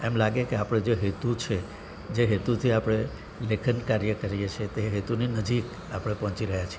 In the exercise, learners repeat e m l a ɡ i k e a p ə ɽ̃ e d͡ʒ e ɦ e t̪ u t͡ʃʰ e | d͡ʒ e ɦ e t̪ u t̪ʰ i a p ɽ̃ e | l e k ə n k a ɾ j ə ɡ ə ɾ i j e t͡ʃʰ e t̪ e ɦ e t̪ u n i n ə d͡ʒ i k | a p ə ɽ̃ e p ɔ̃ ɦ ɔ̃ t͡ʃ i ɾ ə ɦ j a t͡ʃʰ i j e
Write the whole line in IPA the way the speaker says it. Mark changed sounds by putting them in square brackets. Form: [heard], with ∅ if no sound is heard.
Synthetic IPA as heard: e m l a ɡ [e] k e a p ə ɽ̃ e d͡ʒ e ɦ e t̪ u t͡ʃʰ e | d͡ʒ e ɦ e t̪ u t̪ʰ i a p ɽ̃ e | l e [kʰ] ə n k a ɾ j ə [k] ə ɾ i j e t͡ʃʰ e t̪ e ɦ e t̪ u n i n ə d͡ʒ i k | a p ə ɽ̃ e p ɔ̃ ɦ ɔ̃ t͡ʃ i ɾ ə ɦ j a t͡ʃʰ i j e